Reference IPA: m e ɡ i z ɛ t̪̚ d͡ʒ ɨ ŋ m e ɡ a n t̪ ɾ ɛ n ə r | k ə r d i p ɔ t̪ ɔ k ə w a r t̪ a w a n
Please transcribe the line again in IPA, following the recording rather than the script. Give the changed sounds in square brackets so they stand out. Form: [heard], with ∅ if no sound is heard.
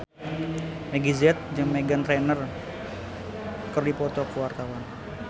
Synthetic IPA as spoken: m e ɡ i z ɛ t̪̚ d͡ʒ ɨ ŋ m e ɡ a n t̪ ɾ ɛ n ə r | k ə r d i p ɔ t̪ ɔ k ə w a r t̪ a w a n